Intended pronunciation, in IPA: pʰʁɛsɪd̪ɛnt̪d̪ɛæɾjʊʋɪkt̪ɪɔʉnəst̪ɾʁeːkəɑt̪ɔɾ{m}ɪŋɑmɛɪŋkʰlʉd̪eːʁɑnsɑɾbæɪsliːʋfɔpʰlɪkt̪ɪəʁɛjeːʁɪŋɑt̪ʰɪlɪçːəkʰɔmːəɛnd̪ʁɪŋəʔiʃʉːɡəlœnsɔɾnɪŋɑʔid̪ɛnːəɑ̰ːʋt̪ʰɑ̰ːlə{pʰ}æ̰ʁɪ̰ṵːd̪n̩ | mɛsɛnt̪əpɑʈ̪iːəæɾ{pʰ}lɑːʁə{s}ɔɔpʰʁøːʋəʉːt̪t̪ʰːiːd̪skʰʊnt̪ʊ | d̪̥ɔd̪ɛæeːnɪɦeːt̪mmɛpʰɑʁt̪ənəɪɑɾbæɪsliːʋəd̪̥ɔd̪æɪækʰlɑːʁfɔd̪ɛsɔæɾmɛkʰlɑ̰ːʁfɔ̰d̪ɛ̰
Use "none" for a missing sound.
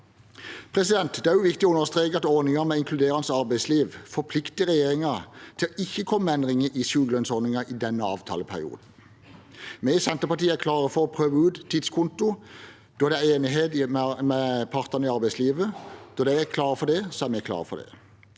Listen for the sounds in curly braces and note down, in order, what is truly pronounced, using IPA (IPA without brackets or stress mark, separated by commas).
n, pʰ, kʰ, f